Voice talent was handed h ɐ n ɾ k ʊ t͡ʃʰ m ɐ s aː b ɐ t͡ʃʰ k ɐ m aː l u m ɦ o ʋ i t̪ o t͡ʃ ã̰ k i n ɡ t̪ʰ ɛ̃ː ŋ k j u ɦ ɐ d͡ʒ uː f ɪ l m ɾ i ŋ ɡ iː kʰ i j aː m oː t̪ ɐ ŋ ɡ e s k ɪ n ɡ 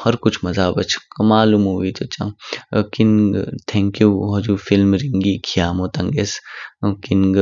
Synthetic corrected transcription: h ɐ ɾ k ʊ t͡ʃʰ m ɐ z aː b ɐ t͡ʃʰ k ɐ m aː l u m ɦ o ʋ i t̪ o t͡ʃ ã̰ k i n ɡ t̪ʰ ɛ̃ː ŋ k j u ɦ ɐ d͡ʒ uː f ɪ l m ɾ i ŋ ɡ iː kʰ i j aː m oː t̪ ɐ ŋ ɡ e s k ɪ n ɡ

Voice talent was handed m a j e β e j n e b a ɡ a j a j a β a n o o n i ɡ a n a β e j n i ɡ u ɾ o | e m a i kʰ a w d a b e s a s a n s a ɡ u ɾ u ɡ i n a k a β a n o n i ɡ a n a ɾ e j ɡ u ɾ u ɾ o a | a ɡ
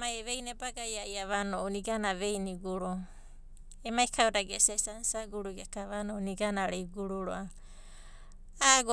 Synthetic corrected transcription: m a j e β e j n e b a ɡ a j a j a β a n o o n i ɡ a n a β e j n i ɡ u ɾ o | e m a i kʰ a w d a ɡ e s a s a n s a ɡ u ɾ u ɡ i a k a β a n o n i ɡ a n a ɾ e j ɡ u ɾ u ɾ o a | a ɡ

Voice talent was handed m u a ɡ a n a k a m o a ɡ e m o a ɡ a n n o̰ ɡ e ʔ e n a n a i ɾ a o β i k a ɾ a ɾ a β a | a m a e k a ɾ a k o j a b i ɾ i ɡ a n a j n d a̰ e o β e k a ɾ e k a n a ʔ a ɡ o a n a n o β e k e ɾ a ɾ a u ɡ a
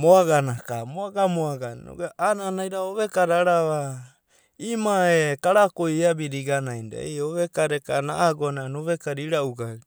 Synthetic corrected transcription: m o a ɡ a n a k a m o a ɡ a m o a ɡ a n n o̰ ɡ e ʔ a n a n a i ɾ a o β e k a ɾ a ɾ a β a | i m a e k a ɾ a k o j a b i ɾ i ɡ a n a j n d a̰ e o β e k a ɾ e k a n a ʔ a ɡ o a n a n o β e k a ɾ i ɾ a u ɡ a

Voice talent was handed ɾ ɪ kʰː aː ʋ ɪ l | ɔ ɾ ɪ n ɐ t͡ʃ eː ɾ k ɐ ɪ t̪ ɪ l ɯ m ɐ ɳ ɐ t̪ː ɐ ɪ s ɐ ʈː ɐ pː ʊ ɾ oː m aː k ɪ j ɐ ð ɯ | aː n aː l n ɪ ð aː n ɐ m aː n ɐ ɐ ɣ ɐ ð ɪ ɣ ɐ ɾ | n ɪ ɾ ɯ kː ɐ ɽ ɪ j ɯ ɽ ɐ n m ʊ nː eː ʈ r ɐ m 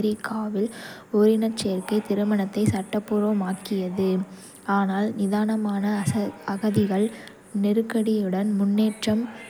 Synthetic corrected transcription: ɾ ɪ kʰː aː ʋ ɪ l | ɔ ɾ ɪ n ɐ t͡ʃ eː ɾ k ɐ ɪ t̪ ɪ ɾ ɯ m ɐ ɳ ɐ t̪ː ɐ ɪ s ɐ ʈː ɐ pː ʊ ɾ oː m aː k ɪ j ɐ ð ɯ | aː n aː l n ɪ ð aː n ɐ m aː n ɐ ɐ ɣ ɐ ð ɪ ɣ ɐ ɭ | n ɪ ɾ ɯ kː ɐ ɽ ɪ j ɯ ɽ ɐ n m ʊ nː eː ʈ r ɐ m

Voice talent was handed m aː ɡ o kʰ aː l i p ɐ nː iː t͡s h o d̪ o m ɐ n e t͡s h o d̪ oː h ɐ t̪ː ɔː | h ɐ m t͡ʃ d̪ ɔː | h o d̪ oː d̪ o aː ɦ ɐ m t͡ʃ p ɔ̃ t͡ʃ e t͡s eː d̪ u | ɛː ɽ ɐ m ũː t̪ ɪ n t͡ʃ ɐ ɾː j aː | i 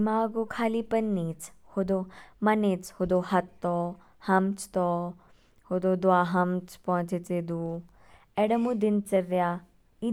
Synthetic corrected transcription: m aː ɡ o kʰ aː l i p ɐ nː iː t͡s h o d̪ o m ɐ n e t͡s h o d̪ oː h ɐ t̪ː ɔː | h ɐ m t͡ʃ t̪ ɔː | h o d̪ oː d̪ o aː ɦ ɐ m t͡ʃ p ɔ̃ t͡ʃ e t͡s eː d̪ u | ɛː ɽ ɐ m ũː d̪ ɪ n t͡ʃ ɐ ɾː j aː | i

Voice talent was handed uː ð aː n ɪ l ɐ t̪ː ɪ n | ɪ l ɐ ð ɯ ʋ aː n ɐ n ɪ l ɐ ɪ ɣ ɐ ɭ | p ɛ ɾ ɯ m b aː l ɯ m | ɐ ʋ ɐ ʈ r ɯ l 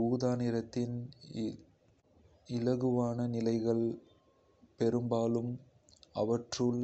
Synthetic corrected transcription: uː ð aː n ɪ ɾ ɐ t̪ː ɪ n | ɪ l ɐ ɣ ɯ ʋ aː n ɐ n ɪ l ɐ ɪ ɣ ɐ ɭ | p ɛ ɾ ɯ m b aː l ɯ m | ɐ ʋ ɐ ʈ r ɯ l

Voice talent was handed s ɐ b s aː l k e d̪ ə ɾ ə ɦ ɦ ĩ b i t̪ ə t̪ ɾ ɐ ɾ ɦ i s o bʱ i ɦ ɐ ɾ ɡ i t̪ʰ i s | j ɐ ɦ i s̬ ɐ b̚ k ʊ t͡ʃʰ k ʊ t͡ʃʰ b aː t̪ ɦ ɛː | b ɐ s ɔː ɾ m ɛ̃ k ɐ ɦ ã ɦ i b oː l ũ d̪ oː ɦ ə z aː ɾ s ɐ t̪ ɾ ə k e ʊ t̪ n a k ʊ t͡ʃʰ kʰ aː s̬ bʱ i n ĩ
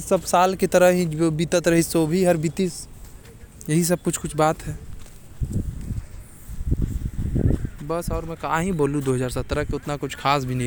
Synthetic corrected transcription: s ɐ b s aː l k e t̪ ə ɾ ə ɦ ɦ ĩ b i t̪ ə t̪ ɾ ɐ ɦ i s o bʱ i ɦ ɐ ɾ b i t̪ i s | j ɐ ɦ i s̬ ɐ b̚ k ʊ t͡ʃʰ k ʊ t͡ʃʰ b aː t̪ ɦ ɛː | b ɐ s ɔː ɾ m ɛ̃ k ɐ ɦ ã ɦ i b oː l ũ d̪ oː ɦ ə z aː ɾ s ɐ t̪ ɾ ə k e ʊ t̪ n a k ʊ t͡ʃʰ kʰ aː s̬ bʱ i n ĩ

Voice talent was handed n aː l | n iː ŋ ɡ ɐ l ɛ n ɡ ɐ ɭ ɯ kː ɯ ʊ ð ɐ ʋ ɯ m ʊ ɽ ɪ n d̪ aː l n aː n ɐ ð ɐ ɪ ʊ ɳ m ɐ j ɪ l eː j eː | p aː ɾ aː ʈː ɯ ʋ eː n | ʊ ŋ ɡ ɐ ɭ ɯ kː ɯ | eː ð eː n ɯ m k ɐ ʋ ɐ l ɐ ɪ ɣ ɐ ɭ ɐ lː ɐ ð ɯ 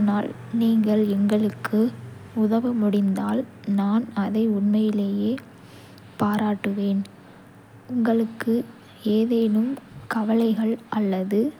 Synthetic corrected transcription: n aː l | n iː ŋ ɡ ɐ ɭ ɛ ŋ ɡ ɐ ɭ ɯ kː ɯ ʊ ð ɐ ʋ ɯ m ʊ ɽ ɪ n d̪ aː l n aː n ɐ ð ɐ ɪ ʊ ɳ m ɐ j ɪ l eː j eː | p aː ɾ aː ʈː ɯ ʋ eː n | ʊ ŋ ɡ ɐ ɭ ɯ kː ɯ | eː ð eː n ɯ m k ɐ ʋ ɐ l ɐ ɪ ɣ ɐ ɭ ɐ lː ɐ ð ɯ

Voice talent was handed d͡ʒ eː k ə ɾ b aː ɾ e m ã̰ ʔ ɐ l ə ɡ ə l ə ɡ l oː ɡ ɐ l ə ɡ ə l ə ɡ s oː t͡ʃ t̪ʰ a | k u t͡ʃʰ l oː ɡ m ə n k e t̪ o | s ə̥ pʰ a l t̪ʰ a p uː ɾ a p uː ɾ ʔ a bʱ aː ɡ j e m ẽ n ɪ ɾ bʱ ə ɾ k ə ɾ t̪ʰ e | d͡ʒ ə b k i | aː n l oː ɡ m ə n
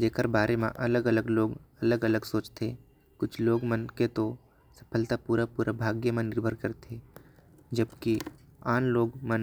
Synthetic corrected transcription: d͡ʒ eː k ə ɾ b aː ɾ e m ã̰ ʔ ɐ l ə ɡ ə l ə ɡ l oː ɡ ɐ l ə ɡ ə l ə ɡ s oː t͡ʃ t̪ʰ e | k ʊ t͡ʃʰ l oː ɡ m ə n k e t̪ o | s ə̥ pʰ ə l t̪ a p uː ɾ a p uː ɾ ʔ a bʱ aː ɡ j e m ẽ n ɪ ɾ bʱ ə ɾ k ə ɾ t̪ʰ e | d͡ʒ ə b k i | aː n l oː ɡ m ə n

